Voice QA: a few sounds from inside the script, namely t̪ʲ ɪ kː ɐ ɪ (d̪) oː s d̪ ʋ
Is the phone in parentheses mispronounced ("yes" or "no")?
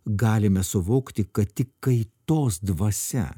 yes